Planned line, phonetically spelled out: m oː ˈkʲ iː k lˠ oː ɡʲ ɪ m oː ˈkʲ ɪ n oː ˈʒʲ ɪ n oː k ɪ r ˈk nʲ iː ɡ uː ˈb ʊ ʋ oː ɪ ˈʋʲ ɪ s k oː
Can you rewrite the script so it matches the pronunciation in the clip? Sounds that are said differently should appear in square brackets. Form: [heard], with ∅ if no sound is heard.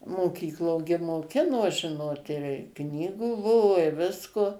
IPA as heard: m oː ˈkʲ iː k lˠ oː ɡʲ ɪ m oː ˈkʲ ɪ n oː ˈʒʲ ɪ n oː [t] ɪ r ˈk nʲ iː ɡ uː ˈb ʊ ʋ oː ɪ ˈʋʲ ɪ s k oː